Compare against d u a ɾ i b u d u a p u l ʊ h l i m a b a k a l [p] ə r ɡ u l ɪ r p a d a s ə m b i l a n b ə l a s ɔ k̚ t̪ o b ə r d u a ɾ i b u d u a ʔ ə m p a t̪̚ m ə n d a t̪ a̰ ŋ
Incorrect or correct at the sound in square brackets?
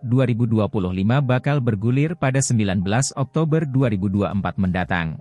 incorrect: b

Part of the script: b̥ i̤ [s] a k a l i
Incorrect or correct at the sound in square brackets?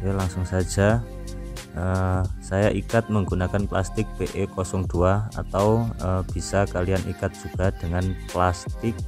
correct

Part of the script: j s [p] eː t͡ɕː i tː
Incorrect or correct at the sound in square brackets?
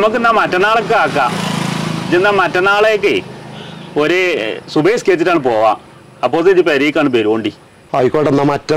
incorrect: k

